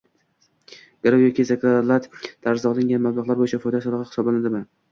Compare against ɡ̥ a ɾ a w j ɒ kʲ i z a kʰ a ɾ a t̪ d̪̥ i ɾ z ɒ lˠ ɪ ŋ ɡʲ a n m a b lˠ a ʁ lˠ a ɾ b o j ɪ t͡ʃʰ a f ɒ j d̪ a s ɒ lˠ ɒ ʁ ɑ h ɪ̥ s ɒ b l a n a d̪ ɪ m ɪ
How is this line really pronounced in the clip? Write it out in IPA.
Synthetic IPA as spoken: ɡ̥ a ɾ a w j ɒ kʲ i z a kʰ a l a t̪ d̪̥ a ɾ z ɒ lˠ ɪ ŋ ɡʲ a n m a b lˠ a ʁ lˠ a ɾ b o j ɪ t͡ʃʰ a f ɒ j d̪ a s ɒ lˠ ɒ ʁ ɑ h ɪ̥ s ɒ b l a n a d̪ ɪ m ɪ